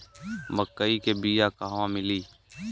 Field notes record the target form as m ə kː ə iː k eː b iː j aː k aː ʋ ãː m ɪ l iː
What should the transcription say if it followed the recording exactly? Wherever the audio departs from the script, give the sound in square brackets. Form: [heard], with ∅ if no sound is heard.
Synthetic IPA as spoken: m ə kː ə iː k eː b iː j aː k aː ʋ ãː m ɪ l iː